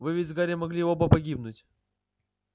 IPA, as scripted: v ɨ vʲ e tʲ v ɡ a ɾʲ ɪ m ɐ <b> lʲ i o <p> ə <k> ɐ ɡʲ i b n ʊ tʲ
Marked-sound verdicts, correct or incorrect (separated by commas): incorrect, incorrect, incorrect